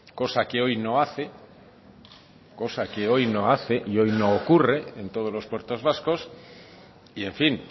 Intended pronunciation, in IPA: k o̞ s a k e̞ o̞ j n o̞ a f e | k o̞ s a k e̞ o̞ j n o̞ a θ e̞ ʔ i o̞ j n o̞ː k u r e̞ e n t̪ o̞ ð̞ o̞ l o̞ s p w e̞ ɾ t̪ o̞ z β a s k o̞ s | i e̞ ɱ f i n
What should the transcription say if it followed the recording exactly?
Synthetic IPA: k o̞ s a k e̞ o̞ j n o̞ a θ e | k o̞ s a k e̞ o̞ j n o̞ a θ e̞ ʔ i o̞ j n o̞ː k u r e̞ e n t̪ o̞ ð̞ o̞ l o̞ s p w e̞ ɾ t̪ o̞ z β a s k o̞ s | i e̞ ɱ f i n